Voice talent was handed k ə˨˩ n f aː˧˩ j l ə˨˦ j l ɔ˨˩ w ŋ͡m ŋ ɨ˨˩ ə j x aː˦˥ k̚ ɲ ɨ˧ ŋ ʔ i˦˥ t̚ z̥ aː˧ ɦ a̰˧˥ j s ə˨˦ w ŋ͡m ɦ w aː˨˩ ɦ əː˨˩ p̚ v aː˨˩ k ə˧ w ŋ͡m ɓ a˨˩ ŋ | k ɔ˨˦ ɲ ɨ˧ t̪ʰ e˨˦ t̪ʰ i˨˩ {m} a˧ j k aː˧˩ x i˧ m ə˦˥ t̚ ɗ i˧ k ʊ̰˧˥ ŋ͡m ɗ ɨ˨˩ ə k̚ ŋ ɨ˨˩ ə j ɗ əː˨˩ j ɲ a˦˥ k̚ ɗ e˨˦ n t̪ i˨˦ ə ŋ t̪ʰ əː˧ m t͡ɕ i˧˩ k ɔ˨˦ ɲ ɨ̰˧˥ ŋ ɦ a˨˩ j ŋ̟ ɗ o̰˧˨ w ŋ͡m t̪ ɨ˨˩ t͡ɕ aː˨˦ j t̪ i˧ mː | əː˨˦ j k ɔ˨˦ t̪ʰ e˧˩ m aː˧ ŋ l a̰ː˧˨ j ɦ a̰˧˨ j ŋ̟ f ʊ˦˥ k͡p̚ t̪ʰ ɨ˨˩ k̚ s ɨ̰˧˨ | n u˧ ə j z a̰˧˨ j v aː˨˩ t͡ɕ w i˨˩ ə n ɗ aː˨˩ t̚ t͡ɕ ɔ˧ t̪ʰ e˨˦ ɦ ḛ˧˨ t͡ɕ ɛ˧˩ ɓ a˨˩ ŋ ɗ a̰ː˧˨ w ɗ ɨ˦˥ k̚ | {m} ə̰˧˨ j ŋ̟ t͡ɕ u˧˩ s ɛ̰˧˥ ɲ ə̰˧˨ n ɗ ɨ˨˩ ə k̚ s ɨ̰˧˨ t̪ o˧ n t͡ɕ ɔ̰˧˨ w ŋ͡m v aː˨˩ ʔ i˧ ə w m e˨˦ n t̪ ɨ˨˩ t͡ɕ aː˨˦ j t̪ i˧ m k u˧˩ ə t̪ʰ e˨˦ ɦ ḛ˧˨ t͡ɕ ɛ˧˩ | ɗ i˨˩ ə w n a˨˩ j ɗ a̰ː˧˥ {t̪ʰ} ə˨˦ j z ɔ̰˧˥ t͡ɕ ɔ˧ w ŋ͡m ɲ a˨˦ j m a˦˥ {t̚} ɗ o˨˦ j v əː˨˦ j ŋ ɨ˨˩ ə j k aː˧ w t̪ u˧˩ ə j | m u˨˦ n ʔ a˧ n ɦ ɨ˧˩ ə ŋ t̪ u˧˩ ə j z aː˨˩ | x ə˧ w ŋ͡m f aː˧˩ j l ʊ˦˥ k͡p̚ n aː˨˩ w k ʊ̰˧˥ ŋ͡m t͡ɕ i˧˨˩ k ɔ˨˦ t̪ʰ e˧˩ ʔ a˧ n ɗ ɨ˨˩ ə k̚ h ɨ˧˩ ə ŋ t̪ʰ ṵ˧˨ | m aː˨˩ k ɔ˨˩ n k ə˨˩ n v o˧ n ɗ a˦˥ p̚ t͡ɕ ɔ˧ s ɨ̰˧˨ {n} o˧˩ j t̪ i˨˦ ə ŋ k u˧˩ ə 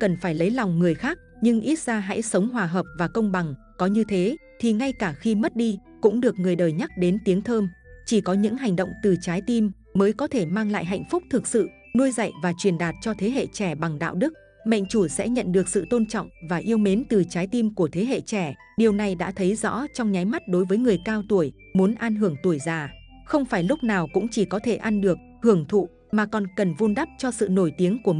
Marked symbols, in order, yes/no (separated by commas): no, yes, yes, yes, yes